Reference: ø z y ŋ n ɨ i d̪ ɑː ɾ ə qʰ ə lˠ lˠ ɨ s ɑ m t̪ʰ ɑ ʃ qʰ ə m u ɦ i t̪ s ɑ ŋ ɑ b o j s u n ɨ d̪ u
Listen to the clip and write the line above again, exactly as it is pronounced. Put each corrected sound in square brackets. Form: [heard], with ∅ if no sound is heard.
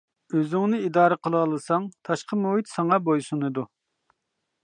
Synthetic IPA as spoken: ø z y ŋ n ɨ i d̪ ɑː ɾ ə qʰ ə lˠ lˠ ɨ s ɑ [ŋ] t̪ʰ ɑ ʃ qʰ ə m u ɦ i t̪ s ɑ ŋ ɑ b o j s u n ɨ d̪ u